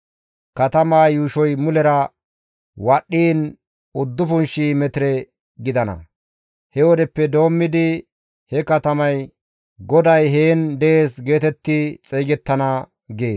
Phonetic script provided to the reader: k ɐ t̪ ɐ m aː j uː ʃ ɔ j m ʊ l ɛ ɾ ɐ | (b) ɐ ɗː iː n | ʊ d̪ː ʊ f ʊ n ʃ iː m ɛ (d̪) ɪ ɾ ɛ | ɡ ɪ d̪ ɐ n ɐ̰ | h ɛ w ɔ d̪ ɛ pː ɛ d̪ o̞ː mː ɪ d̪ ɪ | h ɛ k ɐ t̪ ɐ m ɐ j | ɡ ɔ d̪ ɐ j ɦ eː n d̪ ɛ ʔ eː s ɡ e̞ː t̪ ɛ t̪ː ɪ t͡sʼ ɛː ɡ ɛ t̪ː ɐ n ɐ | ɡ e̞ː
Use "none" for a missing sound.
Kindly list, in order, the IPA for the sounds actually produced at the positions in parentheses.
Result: w, t̪

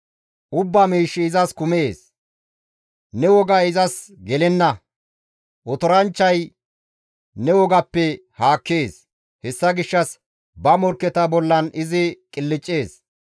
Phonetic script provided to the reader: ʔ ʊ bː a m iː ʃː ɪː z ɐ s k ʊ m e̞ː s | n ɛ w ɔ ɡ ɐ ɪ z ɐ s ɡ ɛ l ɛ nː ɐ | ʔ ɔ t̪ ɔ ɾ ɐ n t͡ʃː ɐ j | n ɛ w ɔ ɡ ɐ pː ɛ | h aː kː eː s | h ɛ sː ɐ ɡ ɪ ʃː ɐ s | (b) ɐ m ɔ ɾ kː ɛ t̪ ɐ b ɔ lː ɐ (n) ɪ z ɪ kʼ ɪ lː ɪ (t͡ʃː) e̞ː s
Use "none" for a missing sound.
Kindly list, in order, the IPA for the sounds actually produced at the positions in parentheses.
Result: b, n, t͡ʃʼː

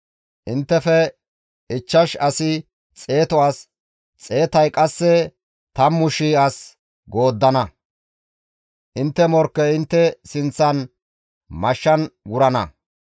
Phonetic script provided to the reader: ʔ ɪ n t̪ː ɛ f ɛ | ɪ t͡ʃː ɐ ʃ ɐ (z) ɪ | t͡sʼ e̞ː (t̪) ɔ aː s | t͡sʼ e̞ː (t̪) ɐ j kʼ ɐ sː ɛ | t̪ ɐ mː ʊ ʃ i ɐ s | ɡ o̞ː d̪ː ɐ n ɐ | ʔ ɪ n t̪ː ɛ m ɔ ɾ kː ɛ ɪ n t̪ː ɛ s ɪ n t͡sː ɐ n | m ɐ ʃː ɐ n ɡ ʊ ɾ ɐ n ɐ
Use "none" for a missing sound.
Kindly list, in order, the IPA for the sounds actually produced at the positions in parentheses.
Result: s, t̪, t̪

